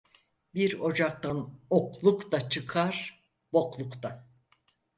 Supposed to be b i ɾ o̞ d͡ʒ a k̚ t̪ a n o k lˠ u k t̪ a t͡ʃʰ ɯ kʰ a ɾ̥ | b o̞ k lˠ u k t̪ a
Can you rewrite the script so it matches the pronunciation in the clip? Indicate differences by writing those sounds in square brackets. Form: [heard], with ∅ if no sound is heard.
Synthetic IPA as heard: b i ɾ o̞ d͡ʒ a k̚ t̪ a n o k lˠ u k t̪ a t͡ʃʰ ɯ kʰ a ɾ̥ | b o̞ k lˠ u k t̪ a

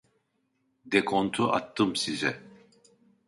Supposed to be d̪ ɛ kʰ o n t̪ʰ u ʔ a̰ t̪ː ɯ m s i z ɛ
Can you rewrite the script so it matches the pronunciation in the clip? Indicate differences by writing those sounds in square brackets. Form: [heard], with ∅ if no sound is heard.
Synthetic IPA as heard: d̪ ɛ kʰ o n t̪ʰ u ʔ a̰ t̪ː ɯ m s i z ɛ

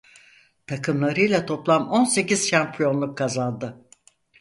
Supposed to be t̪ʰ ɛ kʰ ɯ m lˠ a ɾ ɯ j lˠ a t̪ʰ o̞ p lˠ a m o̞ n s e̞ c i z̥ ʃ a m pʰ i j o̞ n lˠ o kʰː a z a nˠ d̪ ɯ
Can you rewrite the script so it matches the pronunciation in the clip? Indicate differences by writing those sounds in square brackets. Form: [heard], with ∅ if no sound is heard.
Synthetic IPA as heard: t̪ʰ [a] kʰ ɯ m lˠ a ɾ ɯ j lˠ a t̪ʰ o̞ p lˠ a m o̞ n s e̞ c i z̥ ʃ a m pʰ i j o̞ n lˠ [u] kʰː a z a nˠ d̪ ɯ

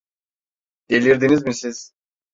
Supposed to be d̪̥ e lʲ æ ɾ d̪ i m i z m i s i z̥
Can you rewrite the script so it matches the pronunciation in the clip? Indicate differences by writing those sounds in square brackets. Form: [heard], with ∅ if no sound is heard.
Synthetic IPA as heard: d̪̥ e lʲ [i] ɾ d̪ i [n] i z m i s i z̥

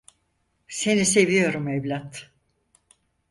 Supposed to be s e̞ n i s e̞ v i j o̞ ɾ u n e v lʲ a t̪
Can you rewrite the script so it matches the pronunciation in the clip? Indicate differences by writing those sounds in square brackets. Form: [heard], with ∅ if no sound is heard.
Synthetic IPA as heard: s e̞ n i s e̞ v i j o̞ ɾ u [m] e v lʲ a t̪

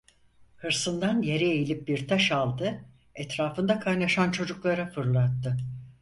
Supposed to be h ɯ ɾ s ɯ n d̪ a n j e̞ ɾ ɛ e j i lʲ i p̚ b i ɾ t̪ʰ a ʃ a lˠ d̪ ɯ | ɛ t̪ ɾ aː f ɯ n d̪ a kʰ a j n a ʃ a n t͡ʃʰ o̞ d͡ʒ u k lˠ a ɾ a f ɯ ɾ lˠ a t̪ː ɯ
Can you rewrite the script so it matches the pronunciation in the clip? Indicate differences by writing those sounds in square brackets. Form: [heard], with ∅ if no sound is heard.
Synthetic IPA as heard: h ɯ ɾ s ɯ n d̪ a n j e̞ ɾ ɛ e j i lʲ i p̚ b i ɾ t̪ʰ a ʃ a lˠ d̪ ɯ | ɛ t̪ ɾ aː f ɯ n d̪ a kʰ a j n a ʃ a n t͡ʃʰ o̞ d͡ʒ u k lˠ a ɾ a f ɯ ɾ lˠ a t̪ː ɯ

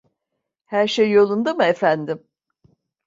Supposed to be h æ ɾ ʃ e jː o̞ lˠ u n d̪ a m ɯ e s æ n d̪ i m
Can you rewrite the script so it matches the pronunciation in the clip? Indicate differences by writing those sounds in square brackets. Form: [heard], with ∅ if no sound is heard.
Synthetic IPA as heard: h æ ɾ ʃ e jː o̞ lˠ u n d̪ a m ɯ e [f] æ n d̪ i m

